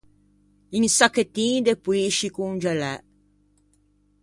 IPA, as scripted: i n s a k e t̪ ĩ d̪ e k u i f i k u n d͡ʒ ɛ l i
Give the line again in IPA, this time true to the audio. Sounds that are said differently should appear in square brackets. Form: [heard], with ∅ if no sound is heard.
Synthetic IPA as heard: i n s a k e t̪ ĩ d̪ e [p] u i [ʃ] i k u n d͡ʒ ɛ l [ɛ]

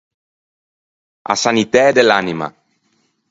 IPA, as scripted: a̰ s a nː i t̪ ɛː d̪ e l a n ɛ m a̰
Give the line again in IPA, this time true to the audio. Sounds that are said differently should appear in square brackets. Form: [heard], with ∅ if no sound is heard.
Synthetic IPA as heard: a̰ s a [n] i t̪ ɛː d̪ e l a n [i] m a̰

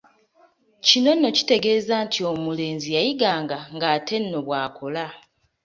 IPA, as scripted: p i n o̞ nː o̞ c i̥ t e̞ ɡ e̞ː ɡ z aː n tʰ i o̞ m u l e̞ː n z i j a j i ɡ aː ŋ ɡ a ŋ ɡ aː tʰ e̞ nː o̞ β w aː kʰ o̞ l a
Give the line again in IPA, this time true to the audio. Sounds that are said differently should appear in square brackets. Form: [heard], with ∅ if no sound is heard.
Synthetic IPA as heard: [c] i n o̞ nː o̞ c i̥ t e̞ ɡ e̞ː [∅] z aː n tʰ i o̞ m u l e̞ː n z i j a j i ɡ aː ŋ ɡ a ŋ ɡ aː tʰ e̞ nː o̞ β w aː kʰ o̞ l a

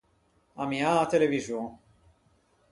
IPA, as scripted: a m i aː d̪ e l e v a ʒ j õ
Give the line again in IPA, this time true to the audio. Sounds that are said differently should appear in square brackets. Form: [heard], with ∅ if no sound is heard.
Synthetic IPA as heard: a m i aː [t̪] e l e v [i] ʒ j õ

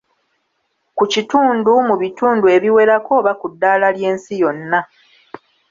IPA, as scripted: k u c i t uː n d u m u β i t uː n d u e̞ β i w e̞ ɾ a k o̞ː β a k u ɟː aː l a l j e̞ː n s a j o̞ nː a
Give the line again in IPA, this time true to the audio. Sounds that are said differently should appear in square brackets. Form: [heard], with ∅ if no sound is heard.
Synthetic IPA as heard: k u c i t uː n d u m u β i t uː n d u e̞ β i w e̞ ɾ a k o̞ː β a k u [dː] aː l a l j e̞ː n s [i] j o̞ nː a

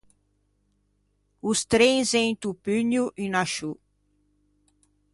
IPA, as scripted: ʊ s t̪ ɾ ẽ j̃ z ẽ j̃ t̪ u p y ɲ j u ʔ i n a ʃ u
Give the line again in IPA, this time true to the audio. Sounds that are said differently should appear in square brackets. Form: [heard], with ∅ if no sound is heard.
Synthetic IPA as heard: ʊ s t̪ ɾ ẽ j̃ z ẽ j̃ t̪ u p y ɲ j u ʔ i n a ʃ u

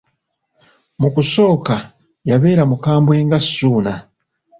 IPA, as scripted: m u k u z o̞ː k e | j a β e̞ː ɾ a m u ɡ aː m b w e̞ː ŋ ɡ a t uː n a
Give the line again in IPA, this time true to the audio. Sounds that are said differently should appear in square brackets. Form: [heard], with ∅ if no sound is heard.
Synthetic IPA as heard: m u k u [s] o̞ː k [a] | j a β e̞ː ɾ a m u [k] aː m b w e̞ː ŋ ɡ a [s] uː n a

